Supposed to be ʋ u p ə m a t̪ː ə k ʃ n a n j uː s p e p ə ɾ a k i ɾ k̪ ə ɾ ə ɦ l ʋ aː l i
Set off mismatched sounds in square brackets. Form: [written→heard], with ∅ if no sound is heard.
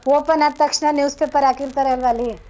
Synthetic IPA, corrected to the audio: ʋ [u→o] p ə [m→n] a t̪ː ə k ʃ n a n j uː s p e p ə ɾ a k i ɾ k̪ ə ɾ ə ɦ l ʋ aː l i